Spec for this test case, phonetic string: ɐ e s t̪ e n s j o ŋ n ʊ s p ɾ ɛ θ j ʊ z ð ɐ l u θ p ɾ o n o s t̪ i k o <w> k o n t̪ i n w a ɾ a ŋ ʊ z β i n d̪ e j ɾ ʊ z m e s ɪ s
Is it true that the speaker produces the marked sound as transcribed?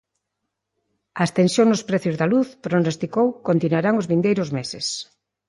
yes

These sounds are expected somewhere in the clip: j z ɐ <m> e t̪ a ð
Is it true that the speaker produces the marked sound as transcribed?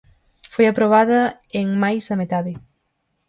yes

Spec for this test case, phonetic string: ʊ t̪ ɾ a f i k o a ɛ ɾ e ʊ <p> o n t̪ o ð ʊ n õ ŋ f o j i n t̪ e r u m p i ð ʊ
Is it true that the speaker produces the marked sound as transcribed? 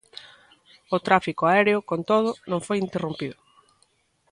no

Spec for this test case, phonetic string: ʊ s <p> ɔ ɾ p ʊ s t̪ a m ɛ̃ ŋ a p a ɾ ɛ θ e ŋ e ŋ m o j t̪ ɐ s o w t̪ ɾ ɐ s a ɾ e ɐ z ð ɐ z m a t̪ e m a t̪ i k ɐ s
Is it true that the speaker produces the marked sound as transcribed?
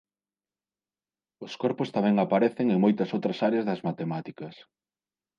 no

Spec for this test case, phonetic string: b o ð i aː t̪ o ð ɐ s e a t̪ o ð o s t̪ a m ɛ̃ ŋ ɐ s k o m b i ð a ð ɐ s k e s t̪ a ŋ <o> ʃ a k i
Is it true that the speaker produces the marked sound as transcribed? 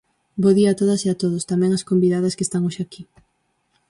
yes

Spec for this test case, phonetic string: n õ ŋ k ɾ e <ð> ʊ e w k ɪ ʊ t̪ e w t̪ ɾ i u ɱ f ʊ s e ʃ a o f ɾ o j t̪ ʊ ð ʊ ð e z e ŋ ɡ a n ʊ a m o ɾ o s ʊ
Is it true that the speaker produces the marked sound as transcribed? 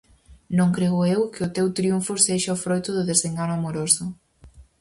no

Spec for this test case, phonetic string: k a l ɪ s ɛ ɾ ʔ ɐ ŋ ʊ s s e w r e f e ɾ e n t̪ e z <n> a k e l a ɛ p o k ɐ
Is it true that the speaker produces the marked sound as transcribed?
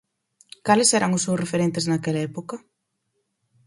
yes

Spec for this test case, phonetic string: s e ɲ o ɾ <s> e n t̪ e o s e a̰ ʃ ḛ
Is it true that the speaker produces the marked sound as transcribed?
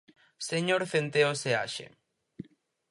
no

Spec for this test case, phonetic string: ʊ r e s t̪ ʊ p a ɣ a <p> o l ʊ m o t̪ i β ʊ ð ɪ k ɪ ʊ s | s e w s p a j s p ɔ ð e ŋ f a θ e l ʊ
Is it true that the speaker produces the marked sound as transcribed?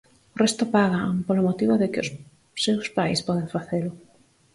yes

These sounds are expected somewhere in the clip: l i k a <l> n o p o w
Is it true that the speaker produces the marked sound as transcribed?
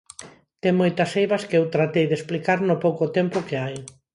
no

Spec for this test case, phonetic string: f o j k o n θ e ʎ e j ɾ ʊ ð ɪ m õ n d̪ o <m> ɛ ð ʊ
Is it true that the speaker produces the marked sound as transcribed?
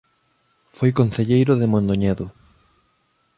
no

